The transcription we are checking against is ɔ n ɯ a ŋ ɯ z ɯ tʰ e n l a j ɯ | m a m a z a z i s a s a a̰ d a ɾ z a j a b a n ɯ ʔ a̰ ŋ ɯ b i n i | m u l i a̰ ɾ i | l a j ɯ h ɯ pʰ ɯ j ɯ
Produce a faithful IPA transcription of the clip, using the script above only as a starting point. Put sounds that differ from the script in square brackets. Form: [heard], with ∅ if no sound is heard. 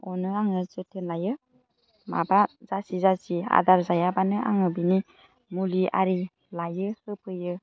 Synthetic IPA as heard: ɔ n ɯ a ŋ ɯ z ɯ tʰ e n l a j ɯ | m a [b] a z a [s] i [z] a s [i] a̰ d a ɾ z a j a b a n ɯ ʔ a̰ ŋ ɯ b i n i | m u l i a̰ ɾ i | l a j ɯ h ɯ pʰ ɯ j ɯ

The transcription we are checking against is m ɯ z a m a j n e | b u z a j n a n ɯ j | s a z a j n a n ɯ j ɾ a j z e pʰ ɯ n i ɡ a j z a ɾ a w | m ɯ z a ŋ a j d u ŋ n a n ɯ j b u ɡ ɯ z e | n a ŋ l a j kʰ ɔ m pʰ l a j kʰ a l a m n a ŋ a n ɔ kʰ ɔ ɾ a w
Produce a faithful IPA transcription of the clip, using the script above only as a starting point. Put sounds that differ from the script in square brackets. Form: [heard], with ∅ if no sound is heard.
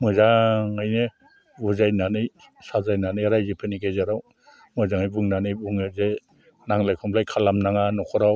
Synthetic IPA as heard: m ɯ z a [ŋ] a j n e | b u z a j n a n ɯ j | s a z a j n a n ɯ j ɾ a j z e pʰ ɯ n i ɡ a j z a ɾ a w | m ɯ z a ŋ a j [b] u ŋ n a n ɯ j b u [ŋ] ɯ z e | n a ŋ l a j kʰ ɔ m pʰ l a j kʰ a l a m n a ŋ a n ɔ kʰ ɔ ɾ a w

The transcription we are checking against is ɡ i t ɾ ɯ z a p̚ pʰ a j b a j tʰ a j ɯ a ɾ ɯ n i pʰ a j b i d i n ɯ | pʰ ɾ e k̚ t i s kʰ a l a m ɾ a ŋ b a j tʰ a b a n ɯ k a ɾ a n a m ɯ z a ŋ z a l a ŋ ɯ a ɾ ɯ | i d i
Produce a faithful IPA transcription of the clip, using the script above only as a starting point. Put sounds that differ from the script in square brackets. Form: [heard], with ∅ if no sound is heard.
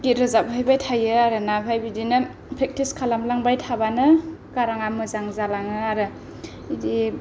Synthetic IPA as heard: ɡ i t ɾ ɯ z a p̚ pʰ a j b a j tʰ a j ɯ a ɾ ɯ n [a] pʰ a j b i d i n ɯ | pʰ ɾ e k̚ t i s kʰ a l a m [l] a ŋ b a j tʰ a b a n ɯ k a ɾ a [ŋ] a m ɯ z a ŋ z a l a ŋ ɯ a ɾ ɯ | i d i

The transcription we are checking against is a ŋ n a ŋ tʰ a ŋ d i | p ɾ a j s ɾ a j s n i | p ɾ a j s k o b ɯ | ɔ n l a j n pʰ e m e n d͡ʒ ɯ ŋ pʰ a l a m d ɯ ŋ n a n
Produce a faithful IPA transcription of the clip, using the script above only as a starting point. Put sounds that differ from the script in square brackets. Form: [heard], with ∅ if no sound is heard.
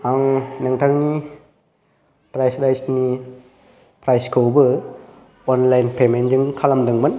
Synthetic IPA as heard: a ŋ n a ŋ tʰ a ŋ [n] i | p ɾ a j s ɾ a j s n i | p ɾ a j s k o b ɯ | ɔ n l a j n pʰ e m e n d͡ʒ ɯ ŋ [kʰ] a l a m d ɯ ŋ [m] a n

